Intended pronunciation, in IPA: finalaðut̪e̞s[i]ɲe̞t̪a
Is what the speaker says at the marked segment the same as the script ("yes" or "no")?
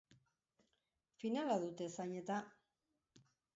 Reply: no